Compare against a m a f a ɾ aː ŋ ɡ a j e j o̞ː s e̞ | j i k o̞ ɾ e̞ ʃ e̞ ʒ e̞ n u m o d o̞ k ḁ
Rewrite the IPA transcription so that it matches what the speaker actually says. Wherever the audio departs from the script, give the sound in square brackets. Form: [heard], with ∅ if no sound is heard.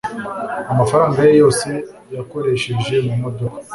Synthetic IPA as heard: a m a f a ɾ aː ŋ ɡ a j e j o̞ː s e̞ | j [a] k o̞ ɾ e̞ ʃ e̞ ʒ e̞ [m] u m o d o̞ k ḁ